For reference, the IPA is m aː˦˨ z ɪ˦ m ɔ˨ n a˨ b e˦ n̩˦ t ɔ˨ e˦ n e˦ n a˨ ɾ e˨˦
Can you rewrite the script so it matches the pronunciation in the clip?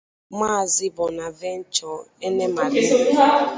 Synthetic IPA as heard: m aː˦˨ z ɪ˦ b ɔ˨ n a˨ v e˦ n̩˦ t͡ʃ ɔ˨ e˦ n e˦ m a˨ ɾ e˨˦